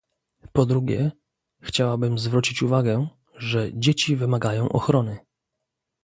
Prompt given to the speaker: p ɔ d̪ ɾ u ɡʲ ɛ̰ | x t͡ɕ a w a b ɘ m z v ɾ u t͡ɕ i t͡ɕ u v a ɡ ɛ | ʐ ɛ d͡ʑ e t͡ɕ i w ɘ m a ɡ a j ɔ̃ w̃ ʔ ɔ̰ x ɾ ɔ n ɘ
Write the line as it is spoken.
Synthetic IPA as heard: p ɔ d̪ ɾ u ɡʲ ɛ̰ | x t͡ɕ a w a b ɘ m z v ɾ u t͡ɕ i t͡ɕ u v a ɡ ɛ | ʐ ɛ d͡ʑ e t͡ɕ i v ɘ m a ɡ a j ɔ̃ w̃ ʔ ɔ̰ x ɾ ɔ n ɘ